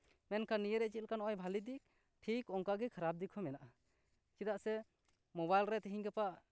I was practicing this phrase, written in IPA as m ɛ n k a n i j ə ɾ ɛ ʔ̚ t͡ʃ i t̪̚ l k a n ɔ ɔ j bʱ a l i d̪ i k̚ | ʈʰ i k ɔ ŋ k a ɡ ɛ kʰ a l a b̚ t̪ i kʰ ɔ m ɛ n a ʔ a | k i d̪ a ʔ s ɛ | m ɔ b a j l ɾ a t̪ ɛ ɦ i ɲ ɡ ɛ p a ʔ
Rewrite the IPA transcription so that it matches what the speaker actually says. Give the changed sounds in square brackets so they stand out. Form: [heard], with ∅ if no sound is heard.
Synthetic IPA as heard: m ɛ n k a n i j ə ɾ ɛ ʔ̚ t͡ʃ i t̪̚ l k a n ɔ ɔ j bʱ a l i d̪ i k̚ | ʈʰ i k ɔ ŋ k a ɡ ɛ kʰ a [ɾ] a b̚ [d̪] i kʰ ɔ m ɛ n a ʔ a | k i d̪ a ʔ s ɛ | m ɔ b a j l ɾ [ɛ] t̪ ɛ ɦ i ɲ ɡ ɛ p a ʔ